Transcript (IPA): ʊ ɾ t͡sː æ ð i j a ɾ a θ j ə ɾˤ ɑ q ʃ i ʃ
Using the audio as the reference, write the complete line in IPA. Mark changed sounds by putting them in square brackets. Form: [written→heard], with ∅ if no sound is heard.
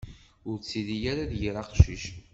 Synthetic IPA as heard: ʊ ɾ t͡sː [æ→i] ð i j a ɾ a [θ→ð] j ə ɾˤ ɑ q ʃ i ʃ

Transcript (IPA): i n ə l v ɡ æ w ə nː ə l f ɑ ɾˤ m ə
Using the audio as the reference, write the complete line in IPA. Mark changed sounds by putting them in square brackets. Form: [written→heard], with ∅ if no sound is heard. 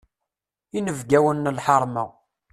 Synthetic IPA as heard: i n ə [l→∅] v ɡ æ w ə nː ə l [f→ħ] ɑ ɾˤ m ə

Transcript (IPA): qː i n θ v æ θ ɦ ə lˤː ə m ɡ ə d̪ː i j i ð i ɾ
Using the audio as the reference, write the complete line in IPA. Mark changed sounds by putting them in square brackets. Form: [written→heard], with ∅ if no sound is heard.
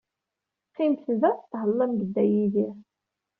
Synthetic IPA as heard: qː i [n→m] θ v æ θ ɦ ə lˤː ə m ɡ ə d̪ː [i→æ] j i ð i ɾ

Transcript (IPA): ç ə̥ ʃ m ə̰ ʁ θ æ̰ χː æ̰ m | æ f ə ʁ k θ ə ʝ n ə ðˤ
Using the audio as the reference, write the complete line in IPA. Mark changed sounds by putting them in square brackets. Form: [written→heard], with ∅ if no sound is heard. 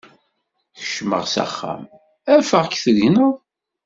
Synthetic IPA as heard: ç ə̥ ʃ m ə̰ ʁ [θ→s] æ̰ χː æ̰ m | æ f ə ʁ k θ ə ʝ n ə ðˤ

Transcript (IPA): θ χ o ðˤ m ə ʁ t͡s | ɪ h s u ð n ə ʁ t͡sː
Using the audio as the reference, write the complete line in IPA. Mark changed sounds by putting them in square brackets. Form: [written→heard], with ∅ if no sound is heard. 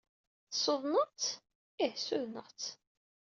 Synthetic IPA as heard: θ [χ→s] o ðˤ [m→n] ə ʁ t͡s | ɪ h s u ð n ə ʁ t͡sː

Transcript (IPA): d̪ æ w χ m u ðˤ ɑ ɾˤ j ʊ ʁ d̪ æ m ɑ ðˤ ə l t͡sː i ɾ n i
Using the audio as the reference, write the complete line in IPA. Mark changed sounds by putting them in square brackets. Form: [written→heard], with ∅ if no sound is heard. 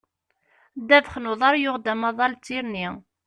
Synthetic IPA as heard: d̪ æ [w→v] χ [m→n] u ðˤ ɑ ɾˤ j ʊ ʁ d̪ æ m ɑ ðˤ [ə→ɑ] l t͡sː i ɾ n i

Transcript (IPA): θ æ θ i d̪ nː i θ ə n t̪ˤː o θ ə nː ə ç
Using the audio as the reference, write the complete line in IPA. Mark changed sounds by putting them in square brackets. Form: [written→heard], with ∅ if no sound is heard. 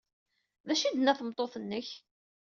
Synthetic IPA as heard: [θ→ð] æ [θ→ʃ] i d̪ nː [i→æ] θ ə [n→m] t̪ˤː o θ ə nː ə ç

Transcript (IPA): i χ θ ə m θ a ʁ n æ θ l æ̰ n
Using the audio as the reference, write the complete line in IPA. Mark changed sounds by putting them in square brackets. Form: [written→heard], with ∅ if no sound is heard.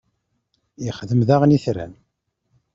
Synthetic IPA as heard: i χ [θ→ð] ə m [θ→ð] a ʁ n [æ→i] θ [l→ɾ] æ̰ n

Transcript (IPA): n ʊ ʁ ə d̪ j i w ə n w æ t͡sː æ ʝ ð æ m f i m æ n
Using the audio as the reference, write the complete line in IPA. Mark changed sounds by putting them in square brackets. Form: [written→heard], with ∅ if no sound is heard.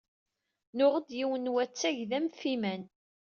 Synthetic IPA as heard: n ʊ ʁ ə d̪ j i w ə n w æ t͡sː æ ʝ ð æ m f i m æ n

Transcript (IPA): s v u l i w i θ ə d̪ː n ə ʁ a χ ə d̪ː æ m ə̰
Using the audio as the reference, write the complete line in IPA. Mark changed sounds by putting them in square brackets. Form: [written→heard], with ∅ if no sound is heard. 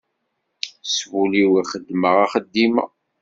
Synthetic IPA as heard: s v u l i w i [θ→χ] ə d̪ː [n→m] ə ʁ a χ ə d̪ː [æ→i] m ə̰

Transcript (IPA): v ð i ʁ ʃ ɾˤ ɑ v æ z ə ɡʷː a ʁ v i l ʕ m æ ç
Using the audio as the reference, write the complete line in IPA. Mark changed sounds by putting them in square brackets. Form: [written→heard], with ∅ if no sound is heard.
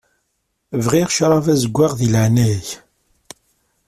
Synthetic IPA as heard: v [ð→ʁ] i ʁ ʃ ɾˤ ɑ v æ z ə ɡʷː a ʁ [v→ð] i l ʕ [m→n] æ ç

